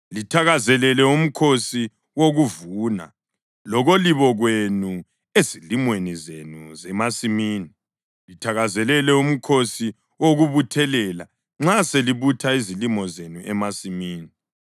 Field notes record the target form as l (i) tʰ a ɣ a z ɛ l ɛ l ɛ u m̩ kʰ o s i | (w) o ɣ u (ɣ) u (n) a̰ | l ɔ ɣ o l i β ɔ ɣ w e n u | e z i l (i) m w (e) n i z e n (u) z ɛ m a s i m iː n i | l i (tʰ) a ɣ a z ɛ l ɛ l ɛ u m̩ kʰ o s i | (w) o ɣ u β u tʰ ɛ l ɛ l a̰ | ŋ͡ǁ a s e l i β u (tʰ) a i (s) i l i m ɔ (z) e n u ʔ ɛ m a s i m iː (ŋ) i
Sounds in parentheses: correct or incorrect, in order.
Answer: correct, correct, incorrect, correct, correct, correct, correct, correct, correct, correct, incorrect, correct, incorrect

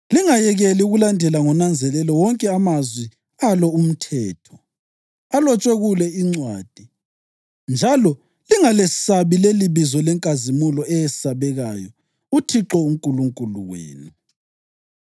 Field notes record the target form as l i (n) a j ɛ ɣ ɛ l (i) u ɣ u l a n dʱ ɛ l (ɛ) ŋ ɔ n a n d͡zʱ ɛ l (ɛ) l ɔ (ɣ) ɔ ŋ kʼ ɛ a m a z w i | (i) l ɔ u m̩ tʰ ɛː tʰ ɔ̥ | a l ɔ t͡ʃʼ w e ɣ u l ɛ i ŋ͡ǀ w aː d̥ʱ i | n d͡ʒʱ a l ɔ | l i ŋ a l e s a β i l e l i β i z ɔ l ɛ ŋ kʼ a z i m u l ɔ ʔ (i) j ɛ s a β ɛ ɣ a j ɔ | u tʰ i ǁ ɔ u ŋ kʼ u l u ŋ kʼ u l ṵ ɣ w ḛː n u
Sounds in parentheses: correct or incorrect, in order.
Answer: incorrect, correct, incorrect, correct, incorrect, incorrect, incorrect

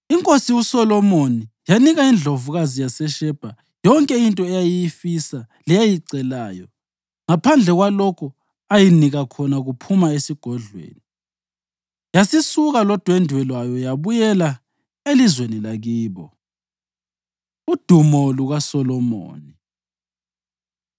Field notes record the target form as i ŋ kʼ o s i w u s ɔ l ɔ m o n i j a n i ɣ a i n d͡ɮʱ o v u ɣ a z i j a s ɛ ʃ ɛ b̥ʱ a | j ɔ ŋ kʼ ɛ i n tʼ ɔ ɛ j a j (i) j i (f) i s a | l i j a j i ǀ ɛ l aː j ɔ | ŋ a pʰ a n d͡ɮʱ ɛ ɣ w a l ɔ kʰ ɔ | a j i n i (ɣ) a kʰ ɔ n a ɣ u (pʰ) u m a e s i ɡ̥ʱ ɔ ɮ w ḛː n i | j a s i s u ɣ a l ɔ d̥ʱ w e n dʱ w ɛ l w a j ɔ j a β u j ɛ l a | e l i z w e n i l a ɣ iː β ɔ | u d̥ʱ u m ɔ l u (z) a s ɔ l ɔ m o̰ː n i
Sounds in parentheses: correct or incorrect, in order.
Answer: correct, correct, correct, correct, incorrect

